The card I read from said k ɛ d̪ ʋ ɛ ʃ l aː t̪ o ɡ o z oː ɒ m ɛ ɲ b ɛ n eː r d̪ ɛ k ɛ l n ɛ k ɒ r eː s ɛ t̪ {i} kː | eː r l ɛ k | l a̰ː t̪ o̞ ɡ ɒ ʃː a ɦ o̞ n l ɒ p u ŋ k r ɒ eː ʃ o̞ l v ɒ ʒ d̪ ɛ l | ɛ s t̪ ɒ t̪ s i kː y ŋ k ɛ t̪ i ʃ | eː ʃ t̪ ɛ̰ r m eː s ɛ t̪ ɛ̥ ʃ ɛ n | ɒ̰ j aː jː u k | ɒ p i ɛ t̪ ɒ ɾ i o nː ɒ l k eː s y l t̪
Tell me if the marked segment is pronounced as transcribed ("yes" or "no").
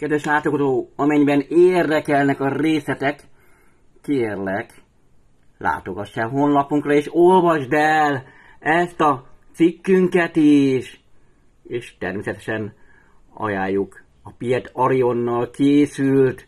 no